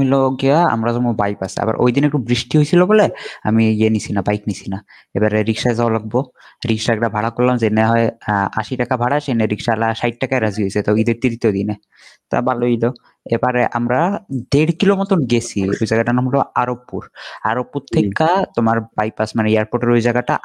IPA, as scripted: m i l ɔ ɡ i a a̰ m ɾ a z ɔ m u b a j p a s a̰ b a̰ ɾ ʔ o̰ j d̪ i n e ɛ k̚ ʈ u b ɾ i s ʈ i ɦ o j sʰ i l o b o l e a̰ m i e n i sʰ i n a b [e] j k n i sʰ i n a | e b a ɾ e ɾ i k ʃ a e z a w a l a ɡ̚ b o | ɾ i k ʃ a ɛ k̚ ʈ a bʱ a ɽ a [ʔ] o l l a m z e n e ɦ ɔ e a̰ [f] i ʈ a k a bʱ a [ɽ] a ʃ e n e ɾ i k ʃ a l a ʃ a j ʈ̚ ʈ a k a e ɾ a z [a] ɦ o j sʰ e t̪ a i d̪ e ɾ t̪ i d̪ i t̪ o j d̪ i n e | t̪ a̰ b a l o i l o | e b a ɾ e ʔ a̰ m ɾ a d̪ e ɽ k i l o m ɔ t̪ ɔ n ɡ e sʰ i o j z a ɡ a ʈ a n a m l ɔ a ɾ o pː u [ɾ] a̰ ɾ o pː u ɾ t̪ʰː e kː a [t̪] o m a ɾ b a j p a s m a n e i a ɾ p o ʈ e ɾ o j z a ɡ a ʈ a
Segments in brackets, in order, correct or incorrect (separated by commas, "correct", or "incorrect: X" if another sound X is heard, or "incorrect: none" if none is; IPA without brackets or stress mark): incorrect: a, incorrect: k, incorrect: ʃ, correct, incorrect: i, correct, correct